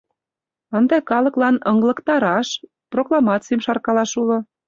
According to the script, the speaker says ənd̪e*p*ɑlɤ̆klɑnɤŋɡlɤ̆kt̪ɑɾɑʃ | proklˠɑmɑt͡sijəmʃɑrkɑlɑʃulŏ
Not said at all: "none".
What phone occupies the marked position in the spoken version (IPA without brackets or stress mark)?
k